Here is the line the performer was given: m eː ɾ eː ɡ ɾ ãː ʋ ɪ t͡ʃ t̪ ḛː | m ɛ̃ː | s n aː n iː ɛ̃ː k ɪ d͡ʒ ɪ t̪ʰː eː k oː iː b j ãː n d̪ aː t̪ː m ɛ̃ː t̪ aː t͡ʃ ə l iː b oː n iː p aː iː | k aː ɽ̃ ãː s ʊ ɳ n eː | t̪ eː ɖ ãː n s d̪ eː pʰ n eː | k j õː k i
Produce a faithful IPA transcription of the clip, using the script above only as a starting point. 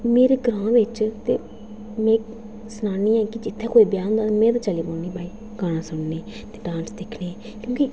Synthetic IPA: m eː ɾ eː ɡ ɾ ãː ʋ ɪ t͡ʃ t̪ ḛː | m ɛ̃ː | s n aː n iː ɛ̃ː k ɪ d͡ʒ ɪ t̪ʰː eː k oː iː b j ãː n d̪ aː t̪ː m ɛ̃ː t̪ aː t͡ʃ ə l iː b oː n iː b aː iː | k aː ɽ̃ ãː s ʊ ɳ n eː | t̪ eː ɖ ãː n s d̪ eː kʰ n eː | k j õː k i